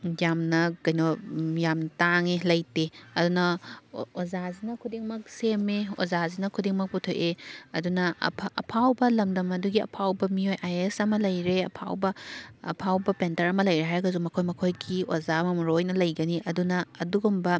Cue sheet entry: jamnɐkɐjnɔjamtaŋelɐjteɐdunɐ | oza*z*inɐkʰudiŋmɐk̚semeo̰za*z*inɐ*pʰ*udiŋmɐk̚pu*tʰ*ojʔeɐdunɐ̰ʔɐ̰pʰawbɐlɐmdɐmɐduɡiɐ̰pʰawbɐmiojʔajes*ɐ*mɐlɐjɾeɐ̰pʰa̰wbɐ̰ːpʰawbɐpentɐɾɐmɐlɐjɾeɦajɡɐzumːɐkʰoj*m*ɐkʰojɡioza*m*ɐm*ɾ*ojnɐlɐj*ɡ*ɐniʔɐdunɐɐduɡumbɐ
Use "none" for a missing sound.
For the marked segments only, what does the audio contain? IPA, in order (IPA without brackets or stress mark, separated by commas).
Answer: z, z, kʰ, tʰ, ɐ, m, m, ɾ, ɡ